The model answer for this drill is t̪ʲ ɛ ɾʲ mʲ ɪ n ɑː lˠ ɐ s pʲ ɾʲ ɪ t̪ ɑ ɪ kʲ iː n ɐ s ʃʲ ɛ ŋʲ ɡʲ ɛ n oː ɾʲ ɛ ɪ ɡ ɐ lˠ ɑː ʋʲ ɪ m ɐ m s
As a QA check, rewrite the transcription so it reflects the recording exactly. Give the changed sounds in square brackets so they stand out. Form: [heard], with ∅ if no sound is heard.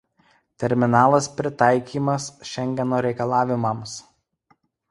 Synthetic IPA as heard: t̪ʲ ɛ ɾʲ mʲ ɪ n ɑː lˠ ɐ s pʲ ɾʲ ɪ t̪ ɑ ɪ kʲ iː [m] ɐ s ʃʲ ɛ ŋʲ ɡʲ ɛ n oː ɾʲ ɛ ɪ [k] ɐ lˠ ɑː ʋʲ ɪ m ɐ m s